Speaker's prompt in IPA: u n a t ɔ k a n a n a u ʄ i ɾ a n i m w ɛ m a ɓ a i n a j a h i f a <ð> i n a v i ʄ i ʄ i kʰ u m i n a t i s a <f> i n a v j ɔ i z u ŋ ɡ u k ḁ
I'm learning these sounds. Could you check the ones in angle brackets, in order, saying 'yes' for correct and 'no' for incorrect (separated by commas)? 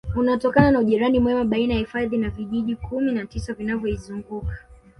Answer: yes, no